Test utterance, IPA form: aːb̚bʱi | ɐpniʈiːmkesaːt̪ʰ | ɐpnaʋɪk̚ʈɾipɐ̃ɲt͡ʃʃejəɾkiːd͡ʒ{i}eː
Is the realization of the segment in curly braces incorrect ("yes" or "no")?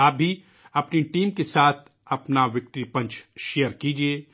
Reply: no